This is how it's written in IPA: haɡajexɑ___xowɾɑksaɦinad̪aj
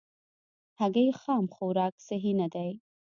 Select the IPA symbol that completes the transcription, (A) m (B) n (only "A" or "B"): A